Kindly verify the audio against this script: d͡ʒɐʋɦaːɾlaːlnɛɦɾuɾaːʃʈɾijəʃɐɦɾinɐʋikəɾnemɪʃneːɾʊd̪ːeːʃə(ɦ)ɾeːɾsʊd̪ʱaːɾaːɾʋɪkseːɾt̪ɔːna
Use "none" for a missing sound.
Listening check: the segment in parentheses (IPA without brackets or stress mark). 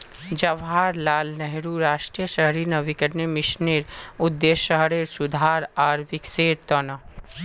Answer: ɦ